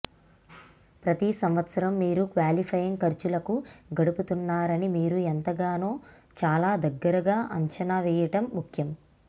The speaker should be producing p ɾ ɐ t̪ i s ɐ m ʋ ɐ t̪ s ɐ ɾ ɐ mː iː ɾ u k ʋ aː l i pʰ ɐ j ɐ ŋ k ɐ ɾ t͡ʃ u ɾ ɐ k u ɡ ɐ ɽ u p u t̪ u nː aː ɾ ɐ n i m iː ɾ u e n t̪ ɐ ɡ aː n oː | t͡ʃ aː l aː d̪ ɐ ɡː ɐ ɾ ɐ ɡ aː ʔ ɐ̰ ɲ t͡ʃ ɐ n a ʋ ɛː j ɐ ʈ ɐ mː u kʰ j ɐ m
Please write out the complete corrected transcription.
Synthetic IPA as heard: p ɾ ɐ t̪ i s ɐ m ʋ ɐ t̪ s ɐ ɾ ɐ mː iː ɾ u k ʋ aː l i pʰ ɐ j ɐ ŋ k ɐ ɾ t͡ʃ u l ɐ k u ɡ ɐ ɽ u p u t̪ u nː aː ɾ ɐ n i m iː ɾ u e n t̪ ɐ ɡ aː n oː | t͡ʃ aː l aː d̪ ɐ ɡː ɐ ɾ ɐ ɡ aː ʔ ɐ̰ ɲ t͡ʃ ɐ n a ʋ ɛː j ɐ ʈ ɐ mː u kʰ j ɐ m

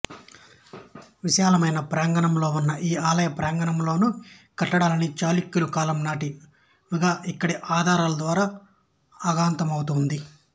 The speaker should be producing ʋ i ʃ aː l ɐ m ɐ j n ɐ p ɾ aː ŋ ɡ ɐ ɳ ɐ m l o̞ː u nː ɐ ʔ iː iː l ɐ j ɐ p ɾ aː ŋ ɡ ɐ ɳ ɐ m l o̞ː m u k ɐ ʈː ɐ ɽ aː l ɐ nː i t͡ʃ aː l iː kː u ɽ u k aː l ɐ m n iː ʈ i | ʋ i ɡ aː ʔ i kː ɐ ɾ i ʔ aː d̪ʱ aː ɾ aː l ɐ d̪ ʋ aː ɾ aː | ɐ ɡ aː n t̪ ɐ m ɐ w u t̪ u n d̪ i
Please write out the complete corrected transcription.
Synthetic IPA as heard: ʋ i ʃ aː l ɐ m ɐ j n ɐ p ɾ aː ŋ ɡ ɐ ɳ ɐ m l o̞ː u nː ɐ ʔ iː aː l ɐ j ɐ p ɾ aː ŋ ɡ ɐ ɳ ɐ m l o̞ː n u k ɐ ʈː ɐ ɽ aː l ɐ n i t͡ʃ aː l i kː u l u k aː l ɐ m n aː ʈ i | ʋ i ɡ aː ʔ i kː ɐ ɽ i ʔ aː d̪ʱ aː ɾ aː l ɐ d̪ ʋ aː ɾ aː | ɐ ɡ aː n t̪ ɐ m ɐ w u t̪ u n d̪ i

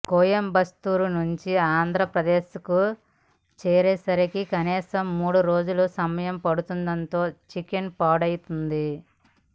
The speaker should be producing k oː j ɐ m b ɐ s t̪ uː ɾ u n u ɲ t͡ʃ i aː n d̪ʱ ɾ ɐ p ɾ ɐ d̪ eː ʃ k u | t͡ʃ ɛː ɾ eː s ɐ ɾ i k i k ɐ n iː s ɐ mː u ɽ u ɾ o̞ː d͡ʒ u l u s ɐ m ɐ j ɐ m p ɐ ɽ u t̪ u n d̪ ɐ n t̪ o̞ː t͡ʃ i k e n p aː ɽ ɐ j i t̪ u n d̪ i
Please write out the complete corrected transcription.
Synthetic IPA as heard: k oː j ɐ m b ɐ s t̪ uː ɾ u n u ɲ t͡ʃ i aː n d̪ʱ ɾ ɐ p ɾ ɐ d̪ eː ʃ k u | t͡ʃ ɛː ɾ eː s ɐ ɾ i k i k ɐ n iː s ɐ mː uː ɽ u ɾ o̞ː d͡ʒ u l u s ɐ m ɐ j ɐ m p ɐ ɽ u t̪ u n d̪ ɐ n t̪ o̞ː t͡ʃ i k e n p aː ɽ ɐ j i t̪ u n d̪ i

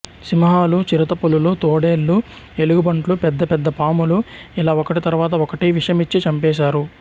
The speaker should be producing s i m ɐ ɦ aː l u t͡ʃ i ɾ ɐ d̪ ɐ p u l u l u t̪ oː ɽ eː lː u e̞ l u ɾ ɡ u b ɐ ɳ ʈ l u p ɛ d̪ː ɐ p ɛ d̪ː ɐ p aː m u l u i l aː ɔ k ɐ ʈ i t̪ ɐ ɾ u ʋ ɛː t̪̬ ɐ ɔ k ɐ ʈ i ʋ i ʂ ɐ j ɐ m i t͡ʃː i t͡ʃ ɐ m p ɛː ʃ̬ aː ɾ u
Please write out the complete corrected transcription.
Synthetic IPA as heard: s i m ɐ ɦ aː l u t͡ʃ i ɾ ɐ t̪ ɐ p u l u l u t̪ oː ɽ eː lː u e̞ l u ɡ u b ɐ ɳ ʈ l u p ɛ d̪ː ɐ p ɛ d̪ː ɐ p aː m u l u i l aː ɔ k ɐ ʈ i t̪ ɐ ɾ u ʋ aː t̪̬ ɐ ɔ k ɐ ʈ i ʋ i ʂ ɐ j ɐ m i t͡ʃː i t͡ʃ ɐ m p ɛː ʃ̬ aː ɾ u

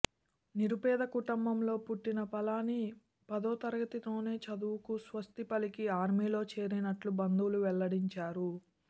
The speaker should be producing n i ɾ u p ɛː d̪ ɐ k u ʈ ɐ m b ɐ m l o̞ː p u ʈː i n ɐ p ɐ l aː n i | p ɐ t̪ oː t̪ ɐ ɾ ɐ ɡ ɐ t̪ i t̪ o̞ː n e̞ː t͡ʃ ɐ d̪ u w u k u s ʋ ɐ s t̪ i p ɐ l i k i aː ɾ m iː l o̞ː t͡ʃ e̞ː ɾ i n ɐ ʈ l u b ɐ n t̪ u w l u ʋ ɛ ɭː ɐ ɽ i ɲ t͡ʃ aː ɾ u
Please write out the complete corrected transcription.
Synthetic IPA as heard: n i ɾ u p ɛː d̪ ɐ k u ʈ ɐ m b ɐ m l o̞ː p u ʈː i n ɐ p ɐ l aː n i | p ɐ d̪ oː t̪ ɐ ɾ ɐ ɡ ɐ t̪ i t̪ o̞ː n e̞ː t͡ʃ ɐ d̪ u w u k u s ʋ ɐ s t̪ i p ɐ l i k i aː ɾ m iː l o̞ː t͡ʃ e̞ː ɾ i n ɐ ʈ l u b ɐ n d̪ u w l u ʋ ɛ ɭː ɐ ɽ i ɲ t͡ʃ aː ɾ u

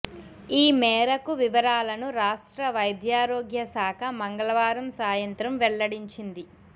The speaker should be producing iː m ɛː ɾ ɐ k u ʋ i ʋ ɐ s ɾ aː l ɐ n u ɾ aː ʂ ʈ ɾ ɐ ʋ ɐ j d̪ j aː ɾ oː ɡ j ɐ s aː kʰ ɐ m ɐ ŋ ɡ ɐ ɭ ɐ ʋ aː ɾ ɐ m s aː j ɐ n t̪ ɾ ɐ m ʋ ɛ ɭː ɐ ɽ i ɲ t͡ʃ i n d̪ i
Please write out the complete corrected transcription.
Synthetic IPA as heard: iː m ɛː ɾ ɐ k u ʋ i ʋ ɐ ɾ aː l ɐ n u ɾ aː ʂ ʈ ɾ ɐ ʋ ɐ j d̪ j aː ɾ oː ɡ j ɐ s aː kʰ ɐ m ɐ ŋ ɡ ɐ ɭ ɐ ʋ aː ɾ ɐ m s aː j ɐ n t̪ ɾ ɐ m ʋ ɛ ɭː ɐ ɽ i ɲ t͡ʃ i n d̪ i

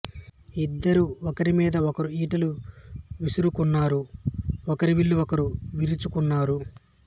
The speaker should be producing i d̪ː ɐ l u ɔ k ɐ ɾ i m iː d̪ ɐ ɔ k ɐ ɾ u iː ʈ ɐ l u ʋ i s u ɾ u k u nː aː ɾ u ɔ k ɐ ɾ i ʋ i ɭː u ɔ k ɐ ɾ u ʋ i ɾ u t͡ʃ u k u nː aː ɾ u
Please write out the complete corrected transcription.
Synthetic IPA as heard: i d̪ː ɐ ɾ u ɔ k ɐ ɾ i m iː d̪ ɐ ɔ k ɐ ɾ u iː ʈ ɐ l u ʋ i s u ɾ u k u nː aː ɾ u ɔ k ɐ ɾ i ʋ i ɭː u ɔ k ɐ ɾ u ʋ i ɾ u t͡ʃ u k u nː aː ɾ u

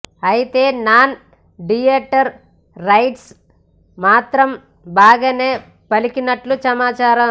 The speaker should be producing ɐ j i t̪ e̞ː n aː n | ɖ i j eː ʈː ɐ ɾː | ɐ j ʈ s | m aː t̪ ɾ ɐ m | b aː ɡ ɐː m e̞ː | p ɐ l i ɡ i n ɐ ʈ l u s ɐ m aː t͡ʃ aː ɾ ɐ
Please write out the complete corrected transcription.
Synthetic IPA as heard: ɐ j i t̪ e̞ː n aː n | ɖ i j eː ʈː ɐ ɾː | ɐ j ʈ s | m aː t̪ ɾ ɐ m | b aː ɡ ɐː n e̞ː | p ɐ l i k i n ɐ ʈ l u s ɐ m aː t͡ʃ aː ɾ ɐ

